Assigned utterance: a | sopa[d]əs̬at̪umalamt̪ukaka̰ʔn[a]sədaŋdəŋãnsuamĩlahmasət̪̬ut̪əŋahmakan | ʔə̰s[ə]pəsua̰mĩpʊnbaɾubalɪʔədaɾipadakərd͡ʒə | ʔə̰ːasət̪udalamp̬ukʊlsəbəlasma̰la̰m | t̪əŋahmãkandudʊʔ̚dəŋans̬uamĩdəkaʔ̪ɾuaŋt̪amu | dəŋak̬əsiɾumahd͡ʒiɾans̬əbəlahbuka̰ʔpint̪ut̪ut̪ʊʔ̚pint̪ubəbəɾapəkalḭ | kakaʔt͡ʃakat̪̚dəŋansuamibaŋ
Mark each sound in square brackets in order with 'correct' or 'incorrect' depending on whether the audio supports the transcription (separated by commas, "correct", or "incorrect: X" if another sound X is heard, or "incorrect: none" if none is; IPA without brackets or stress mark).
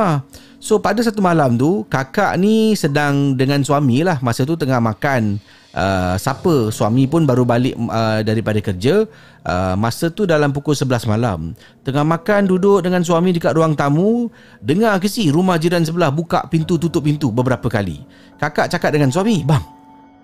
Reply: correct, incorrect: i, incorrect: a